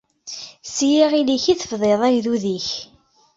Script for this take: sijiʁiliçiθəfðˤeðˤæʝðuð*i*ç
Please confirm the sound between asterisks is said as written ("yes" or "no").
yes